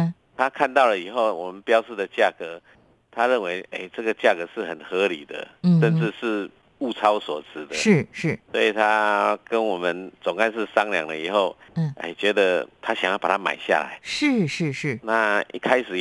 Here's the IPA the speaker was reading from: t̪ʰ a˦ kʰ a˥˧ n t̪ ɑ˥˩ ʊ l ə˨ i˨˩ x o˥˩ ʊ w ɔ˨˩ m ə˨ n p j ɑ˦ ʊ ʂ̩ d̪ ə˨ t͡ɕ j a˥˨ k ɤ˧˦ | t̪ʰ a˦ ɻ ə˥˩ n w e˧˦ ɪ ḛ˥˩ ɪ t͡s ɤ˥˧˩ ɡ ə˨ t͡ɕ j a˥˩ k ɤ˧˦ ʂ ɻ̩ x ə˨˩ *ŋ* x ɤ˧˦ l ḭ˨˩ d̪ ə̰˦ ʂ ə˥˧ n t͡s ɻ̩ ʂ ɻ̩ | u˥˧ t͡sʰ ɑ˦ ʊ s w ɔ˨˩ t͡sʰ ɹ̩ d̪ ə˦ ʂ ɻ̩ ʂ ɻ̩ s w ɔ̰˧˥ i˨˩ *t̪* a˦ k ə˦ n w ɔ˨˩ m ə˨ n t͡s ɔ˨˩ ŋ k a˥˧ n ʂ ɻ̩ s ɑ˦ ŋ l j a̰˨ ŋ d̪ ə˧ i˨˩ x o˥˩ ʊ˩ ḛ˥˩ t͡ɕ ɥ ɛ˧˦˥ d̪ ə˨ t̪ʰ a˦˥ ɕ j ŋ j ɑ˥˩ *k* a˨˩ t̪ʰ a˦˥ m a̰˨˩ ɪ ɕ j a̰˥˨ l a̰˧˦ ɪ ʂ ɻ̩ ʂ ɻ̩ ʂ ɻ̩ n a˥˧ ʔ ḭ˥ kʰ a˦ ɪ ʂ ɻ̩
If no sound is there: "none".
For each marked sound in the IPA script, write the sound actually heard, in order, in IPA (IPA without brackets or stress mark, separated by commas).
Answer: n, t̪ʰ, p